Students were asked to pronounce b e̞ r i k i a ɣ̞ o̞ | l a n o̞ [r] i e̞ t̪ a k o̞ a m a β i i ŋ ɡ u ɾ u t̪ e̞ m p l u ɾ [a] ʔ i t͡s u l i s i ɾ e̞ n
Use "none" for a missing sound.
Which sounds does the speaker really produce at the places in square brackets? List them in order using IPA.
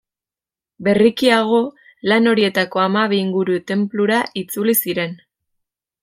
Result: ɾ, a

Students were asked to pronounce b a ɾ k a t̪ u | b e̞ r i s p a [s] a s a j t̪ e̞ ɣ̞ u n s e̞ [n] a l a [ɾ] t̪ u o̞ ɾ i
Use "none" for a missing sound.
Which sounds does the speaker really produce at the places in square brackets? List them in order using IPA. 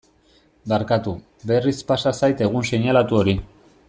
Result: s, ɲ, none

